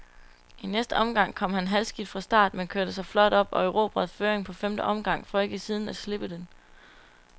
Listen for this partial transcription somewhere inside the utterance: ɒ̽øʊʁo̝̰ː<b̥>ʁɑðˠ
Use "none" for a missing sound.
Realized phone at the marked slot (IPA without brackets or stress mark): b̥